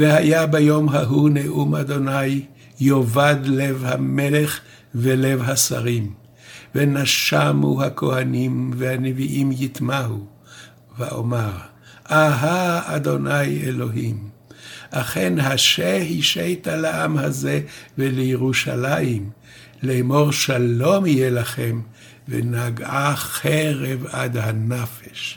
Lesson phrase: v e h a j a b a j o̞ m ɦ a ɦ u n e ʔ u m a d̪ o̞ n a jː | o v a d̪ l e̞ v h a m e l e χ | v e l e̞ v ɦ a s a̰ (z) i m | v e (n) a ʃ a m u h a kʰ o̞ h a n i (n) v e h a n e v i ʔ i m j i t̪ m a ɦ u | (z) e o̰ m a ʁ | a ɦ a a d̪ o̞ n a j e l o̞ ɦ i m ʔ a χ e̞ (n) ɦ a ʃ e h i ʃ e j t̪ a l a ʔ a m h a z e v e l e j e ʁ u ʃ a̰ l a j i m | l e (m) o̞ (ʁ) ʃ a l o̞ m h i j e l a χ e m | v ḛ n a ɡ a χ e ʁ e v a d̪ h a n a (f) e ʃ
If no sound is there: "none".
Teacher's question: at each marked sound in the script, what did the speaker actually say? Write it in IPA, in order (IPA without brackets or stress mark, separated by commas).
ʁ, n, m, v, n, m, ʁ, f